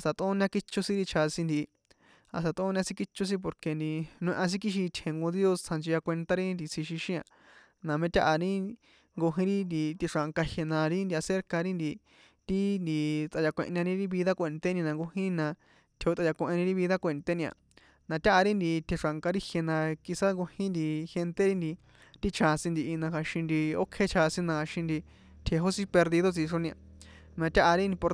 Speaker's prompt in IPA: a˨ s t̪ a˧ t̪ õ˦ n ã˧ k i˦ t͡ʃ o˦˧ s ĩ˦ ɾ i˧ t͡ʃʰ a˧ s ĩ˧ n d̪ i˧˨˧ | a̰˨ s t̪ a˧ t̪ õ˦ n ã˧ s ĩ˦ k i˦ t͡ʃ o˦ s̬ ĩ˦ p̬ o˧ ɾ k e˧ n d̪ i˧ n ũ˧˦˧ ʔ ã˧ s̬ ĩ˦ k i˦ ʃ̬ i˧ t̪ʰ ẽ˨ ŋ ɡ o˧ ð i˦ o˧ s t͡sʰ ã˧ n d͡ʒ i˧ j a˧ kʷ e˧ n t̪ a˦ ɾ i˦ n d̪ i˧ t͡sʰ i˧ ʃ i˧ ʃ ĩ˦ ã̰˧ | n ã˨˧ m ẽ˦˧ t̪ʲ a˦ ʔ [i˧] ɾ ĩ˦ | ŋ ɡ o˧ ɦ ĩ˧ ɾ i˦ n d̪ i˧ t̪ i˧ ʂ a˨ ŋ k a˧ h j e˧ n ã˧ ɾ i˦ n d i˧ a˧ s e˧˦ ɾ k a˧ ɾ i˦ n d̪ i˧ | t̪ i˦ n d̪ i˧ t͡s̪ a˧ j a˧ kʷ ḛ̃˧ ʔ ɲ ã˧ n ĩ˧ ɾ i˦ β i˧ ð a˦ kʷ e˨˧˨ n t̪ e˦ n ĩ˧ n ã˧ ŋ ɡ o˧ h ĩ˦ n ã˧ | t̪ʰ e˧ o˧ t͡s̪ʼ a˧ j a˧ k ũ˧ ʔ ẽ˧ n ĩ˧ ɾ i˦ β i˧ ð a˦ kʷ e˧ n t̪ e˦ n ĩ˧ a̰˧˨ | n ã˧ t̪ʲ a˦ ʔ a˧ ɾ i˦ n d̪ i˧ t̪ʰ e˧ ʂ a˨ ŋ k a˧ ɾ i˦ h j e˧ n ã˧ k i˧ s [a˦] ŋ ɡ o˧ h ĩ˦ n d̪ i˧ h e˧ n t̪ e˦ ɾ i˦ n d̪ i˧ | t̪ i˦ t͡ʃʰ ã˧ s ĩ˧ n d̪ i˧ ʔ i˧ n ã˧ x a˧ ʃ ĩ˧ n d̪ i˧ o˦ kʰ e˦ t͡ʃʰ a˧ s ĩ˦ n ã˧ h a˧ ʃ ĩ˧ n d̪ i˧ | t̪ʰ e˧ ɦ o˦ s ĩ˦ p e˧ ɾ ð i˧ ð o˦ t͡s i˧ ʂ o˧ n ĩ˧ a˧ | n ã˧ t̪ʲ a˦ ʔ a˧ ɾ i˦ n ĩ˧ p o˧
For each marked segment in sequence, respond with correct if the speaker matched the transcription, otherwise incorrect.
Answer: incorrect: a˧, correct

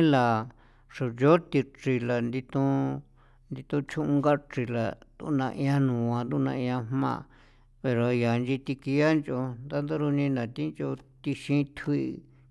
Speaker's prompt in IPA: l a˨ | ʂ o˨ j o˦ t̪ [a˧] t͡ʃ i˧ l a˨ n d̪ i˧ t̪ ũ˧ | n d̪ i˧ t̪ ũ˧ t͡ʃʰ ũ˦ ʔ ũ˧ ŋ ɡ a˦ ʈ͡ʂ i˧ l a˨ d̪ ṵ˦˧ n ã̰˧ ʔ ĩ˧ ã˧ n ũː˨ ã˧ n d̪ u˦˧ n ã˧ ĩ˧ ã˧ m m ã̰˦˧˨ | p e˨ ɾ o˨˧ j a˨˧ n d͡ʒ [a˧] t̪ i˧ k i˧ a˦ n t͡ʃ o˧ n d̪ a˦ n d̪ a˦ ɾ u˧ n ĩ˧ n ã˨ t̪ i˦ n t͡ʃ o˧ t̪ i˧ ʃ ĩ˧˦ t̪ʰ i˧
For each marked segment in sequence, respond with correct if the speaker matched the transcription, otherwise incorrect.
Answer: incorrect: i˧, incorrect: i˧

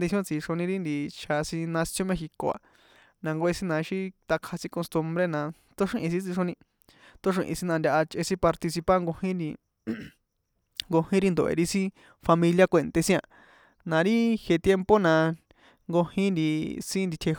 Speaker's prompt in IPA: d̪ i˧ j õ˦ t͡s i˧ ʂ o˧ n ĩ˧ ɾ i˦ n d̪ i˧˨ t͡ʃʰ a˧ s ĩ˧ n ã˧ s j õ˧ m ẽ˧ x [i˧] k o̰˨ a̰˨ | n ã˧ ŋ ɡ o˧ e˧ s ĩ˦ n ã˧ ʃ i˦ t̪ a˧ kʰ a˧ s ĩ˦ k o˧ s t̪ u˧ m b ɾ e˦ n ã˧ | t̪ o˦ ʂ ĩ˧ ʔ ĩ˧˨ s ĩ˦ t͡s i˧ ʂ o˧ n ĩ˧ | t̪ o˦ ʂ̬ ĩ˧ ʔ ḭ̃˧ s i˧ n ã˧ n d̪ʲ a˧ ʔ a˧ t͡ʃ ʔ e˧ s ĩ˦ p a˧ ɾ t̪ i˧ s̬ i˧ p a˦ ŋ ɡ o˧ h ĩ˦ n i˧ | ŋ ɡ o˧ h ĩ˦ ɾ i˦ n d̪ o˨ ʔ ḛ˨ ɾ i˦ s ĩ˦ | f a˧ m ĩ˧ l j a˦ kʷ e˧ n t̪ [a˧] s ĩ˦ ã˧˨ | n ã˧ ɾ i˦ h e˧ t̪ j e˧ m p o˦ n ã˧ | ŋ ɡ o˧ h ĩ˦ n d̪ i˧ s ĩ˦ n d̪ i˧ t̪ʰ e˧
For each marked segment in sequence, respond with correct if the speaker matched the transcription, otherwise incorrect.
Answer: correct, incorrect: e˧

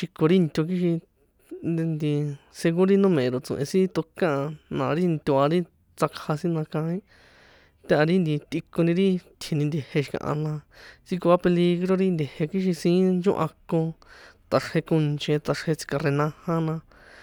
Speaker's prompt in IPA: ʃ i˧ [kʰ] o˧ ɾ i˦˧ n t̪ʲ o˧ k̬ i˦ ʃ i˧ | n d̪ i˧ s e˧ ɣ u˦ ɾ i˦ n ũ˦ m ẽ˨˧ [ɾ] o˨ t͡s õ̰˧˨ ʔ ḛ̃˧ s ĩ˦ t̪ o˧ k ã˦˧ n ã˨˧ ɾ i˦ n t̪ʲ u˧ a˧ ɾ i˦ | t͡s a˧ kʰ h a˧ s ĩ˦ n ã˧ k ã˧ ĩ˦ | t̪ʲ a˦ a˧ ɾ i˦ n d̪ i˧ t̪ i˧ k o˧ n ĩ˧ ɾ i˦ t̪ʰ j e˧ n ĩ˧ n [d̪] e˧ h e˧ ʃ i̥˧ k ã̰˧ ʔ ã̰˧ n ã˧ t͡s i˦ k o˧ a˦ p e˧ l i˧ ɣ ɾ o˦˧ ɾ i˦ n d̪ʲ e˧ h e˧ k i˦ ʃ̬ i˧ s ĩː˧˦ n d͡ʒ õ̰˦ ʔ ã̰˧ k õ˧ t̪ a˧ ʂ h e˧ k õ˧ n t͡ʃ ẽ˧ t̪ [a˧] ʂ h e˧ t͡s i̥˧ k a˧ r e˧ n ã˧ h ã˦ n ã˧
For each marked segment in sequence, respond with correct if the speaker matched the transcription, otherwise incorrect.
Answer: incorrect: k, correct, correct, correct

